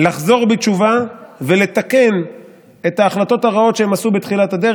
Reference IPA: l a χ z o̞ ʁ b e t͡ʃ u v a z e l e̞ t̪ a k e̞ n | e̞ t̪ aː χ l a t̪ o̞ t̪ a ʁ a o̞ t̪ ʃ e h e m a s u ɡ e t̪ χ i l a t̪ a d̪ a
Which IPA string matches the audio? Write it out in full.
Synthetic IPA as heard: l a χ z o̞ ʁ b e t͡ʃ u v a v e l e̞ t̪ a k e̞ n | e̞ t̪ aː χ l a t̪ o̞ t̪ a ʁ a o̞ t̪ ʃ e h e m a s u b e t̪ χ i l a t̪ a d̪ e